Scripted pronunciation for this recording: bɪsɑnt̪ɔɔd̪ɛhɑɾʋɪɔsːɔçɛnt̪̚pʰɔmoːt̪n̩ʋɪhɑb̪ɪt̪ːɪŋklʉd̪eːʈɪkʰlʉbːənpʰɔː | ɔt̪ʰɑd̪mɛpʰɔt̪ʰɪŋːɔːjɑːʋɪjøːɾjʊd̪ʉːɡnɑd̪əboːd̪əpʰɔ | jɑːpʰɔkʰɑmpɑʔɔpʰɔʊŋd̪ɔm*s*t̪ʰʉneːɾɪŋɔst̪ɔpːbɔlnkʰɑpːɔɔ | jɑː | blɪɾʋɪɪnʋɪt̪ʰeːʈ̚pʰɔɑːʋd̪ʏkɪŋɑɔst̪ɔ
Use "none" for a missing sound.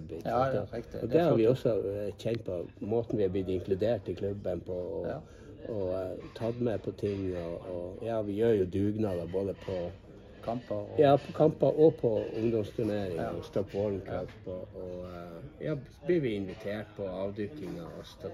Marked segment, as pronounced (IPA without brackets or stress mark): s